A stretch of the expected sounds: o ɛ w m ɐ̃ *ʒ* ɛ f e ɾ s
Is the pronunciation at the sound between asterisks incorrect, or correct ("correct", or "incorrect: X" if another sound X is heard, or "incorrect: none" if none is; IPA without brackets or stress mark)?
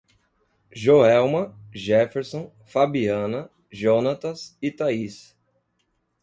correct